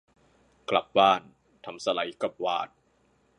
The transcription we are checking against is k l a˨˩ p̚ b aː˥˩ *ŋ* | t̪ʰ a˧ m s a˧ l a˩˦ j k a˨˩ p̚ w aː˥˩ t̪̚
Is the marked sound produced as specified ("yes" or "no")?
no